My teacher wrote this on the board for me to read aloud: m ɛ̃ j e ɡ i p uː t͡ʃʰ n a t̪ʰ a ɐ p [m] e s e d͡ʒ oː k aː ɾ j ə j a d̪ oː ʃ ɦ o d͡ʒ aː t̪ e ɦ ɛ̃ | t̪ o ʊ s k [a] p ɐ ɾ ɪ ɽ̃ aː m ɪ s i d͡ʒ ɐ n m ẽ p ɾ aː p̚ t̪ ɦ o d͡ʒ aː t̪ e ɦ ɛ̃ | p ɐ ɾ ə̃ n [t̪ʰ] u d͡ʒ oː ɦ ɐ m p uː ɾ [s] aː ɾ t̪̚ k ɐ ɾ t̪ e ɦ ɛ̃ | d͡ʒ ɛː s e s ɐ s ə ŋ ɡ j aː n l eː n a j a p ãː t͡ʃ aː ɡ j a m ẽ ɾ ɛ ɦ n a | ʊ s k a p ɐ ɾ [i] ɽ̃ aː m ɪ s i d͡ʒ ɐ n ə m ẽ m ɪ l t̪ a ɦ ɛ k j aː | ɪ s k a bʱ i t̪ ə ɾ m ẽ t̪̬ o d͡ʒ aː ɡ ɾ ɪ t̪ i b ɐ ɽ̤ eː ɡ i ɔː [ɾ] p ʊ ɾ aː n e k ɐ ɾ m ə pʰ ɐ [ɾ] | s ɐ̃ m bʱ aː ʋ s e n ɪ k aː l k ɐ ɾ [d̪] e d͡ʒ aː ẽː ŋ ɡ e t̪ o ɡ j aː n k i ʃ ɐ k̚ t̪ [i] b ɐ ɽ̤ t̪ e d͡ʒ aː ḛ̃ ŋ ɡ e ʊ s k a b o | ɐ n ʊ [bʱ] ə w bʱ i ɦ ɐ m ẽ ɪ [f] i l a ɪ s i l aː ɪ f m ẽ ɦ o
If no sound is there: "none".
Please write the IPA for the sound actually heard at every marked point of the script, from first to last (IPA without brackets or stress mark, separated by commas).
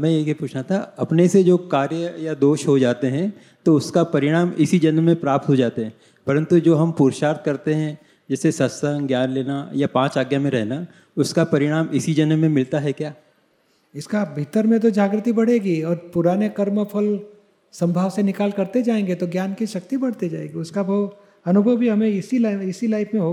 n, a, t̪, ʃ, ɪ, ɾ, l, t̪, i, bʱ, s